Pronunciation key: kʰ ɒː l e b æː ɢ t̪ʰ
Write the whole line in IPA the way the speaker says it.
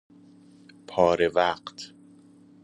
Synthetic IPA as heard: pʰ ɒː ɾ e v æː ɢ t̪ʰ